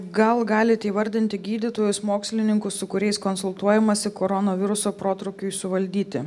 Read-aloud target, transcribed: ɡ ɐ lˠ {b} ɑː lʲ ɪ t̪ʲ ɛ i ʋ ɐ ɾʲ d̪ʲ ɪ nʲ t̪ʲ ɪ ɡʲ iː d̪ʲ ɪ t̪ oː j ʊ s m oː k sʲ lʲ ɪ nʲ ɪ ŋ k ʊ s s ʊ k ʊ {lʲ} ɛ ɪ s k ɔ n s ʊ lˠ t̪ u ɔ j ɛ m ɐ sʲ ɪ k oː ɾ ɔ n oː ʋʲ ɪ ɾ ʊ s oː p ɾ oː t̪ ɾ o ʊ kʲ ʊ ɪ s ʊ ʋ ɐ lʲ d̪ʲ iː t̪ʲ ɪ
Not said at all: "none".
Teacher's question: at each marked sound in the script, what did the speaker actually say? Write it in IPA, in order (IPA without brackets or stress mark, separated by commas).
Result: ɡ, ɾʲ